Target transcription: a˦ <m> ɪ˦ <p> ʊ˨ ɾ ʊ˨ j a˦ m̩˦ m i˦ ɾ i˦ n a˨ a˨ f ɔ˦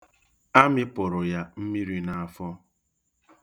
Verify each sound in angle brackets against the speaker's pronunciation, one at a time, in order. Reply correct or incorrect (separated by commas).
correct, correct